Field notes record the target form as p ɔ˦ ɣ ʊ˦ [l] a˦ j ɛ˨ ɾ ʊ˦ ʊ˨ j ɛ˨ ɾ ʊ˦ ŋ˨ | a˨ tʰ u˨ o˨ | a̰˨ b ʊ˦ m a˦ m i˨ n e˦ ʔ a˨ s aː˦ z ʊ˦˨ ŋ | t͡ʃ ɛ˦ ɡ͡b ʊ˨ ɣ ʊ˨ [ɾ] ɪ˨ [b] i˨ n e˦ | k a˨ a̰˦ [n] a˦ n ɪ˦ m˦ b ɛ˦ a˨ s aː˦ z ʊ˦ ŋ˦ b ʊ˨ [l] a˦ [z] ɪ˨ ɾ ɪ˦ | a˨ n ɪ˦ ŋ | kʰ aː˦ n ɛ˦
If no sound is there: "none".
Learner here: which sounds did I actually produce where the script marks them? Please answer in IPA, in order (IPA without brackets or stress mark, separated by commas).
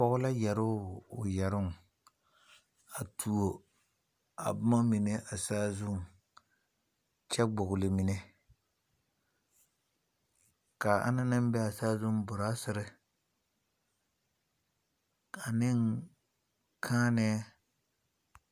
l, l, m, n, ɾ, s